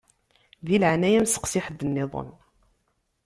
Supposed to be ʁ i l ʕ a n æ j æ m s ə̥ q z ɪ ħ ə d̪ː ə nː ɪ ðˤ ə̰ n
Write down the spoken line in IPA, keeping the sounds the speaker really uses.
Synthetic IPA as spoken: ð i l ʕ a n æ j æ m s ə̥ q s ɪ ħ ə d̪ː ə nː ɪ ðˤ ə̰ n